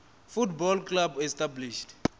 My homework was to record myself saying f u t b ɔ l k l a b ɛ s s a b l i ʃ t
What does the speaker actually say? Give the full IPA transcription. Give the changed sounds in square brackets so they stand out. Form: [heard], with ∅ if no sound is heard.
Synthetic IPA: f u t b ɔ l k l a b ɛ s [t] a b l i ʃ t